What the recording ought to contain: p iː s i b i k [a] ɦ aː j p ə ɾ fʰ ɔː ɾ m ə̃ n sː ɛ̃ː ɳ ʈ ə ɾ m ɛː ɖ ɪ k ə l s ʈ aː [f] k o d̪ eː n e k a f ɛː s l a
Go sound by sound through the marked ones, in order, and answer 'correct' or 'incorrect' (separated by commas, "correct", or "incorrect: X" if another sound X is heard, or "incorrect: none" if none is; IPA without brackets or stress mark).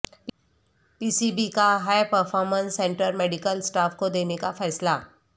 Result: correct, correct